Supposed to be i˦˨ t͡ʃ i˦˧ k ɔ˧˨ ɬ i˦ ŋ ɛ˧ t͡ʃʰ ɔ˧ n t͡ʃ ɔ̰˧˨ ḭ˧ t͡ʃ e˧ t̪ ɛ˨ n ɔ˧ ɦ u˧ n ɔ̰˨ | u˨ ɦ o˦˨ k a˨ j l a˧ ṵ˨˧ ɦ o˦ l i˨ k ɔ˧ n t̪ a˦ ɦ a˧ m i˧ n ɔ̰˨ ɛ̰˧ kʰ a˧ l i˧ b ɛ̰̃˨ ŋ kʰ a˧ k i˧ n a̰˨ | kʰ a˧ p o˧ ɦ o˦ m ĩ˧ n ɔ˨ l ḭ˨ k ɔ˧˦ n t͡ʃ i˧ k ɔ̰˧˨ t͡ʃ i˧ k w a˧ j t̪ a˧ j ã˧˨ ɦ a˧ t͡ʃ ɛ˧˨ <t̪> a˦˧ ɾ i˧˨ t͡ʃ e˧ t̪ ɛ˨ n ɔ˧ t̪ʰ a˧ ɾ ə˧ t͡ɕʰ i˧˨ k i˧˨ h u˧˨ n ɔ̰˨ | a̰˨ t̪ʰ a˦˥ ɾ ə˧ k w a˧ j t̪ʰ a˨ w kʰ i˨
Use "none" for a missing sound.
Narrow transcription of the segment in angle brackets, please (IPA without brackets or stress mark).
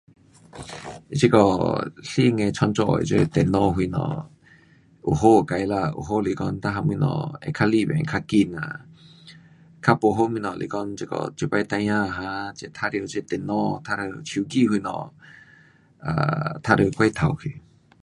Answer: t̪ʰ